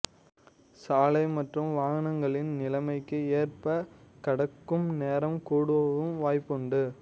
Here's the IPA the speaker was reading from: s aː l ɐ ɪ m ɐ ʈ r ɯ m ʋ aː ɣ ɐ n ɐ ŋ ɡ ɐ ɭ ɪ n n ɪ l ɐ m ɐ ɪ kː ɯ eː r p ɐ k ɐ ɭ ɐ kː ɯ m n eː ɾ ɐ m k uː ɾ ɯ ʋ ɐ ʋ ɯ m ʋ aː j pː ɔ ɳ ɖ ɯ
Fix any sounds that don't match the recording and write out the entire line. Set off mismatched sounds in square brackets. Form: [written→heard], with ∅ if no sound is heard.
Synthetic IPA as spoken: s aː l ɐ ɪ m ɐ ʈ r ɯ m ʋ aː ɣ ɐ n ɐ ŋ ɡ ɐ ɭ ɪ n n ɪ l ɐ m ɐ ɪ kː ɯ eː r p ɐ k ɐ [ɭ→ɽ] ɐ kː ɯ m n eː ɾ ɐ m k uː [ɾ→ɽ] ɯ ʋ ɐ ʋ ɯ m ʋ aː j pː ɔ ɳ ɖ ɯ